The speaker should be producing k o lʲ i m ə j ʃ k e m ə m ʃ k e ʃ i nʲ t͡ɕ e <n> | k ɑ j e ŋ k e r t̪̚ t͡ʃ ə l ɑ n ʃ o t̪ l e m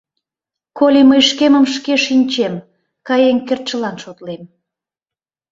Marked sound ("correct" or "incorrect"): incorrect